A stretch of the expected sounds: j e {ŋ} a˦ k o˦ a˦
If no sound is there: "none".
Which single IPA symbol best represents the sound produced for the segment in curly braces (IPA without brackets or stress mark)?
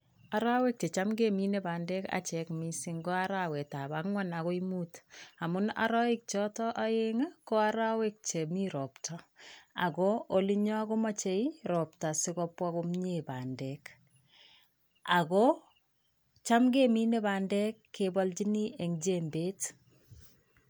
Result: ŋ